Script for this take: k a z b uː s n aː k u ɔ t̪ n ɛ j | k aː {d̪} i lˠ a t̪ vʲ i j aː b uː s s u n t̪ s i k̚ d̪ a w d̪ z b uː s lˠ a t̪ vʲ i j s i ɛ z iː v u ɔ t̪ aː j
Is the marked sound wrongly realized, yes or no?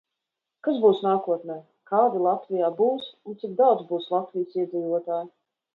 no